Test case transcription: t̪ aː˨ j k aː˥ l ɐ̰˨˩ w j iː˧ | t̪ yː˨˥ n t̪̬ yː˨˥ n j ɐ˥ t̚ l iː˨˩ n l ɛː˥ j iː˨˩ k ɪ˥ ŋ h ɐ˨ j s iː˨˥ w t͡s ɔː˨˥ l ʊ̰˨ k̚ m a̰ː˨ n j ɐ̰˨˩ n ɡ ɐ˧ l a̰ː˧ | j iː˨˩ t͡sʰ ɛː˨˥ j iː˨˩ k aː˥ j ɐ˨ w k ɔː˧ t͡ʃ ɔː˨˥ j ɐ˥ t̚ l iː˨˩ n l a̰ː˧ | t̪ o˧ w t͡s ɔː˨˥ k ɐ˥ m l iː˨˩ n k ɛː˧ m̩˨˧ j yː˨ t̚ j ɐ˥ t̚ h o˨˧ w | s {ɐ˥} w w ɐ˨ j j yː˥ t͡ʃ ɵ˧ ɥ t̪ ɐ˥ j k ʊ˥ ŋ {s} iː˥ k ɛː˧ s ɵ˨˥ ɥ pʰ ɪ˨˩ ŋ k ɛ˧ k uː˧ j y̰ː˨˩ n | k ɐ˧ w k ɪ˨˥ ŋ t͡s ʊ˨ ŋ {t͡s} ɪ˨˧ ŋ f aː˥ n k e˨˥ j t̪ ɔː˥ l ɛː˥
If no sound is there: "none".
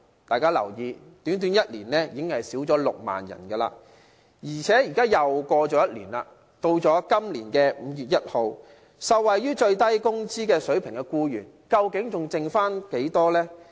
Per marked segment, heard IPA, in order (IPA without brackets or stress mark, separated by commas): ɐ˨, t͡s, t͡s